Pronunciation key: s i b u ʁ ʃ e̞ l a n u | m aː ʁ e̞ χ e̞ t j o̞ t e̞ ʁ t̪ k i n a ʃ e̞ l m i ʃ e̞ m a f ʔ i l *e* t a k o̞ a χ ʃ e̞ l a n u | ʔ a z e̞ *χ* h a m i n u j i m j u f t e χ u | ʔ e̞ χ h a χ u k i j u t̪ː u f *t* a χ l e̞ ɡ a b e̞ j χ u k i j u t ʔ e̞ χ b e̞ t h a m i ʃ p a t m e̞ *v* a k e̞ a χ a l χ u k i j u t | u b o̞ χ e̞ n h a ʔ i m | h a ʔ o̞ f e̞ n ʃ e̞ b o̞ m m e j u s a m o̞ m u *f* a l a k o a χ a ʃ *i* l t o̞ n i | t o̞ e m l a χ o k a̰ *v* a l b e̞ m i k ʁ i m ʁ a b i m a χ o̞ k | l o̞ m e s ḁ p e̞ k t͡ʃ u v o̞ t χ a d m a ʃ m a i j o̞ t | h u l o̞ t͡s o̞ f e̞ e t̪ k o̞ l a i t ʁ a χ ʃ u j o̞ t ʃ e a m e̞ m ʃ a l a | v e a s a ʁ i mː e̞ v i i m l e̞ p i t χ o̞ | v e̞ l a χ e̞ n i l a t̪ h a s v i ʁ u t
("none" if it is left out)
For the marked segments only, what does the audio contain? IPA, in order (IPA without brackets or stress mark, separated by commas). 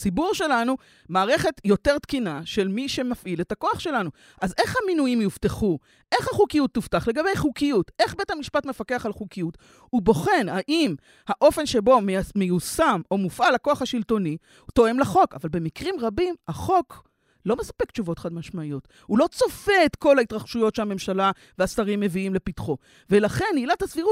e, χ, t, f, f, i, v